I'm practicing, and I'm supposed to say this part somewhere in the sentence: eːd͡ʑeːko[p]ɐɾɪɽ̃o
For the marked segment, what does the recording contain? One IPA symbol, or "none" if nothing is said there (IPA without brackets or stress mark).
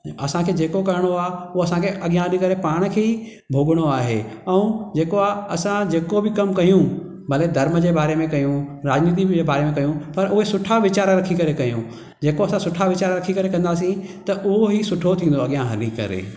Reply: k